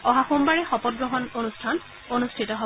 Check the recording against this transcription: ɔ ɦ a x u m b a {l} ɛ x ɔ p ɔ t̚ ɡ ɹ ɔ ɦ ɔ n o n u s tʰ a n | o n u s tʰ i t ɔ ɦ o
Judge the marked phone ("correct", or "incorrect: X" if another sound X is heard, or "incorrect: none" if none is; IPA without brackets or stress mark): incorrect: ɹ